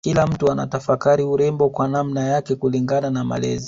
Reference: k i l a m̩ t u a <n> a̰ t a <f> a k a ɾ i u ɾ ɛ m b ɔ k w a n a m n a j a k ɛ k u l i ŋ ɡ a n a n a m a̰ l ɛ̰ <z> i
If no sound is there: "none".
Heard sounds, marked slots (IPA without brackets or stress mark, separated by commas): n, f, z